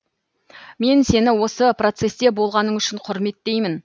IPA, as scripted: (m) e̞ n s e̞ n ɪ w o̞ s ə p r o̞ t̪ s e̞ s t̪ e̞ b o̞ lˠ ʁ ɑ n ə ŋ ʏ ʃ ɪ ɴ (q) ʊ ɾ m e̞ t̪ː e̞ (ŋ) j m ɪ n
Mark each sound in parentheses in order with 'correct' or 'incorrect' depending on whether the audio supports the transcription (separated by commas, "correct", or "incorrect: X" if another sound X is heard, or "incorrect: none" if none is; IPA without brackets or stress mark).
correct, incorrect: qʰ, incorrect: none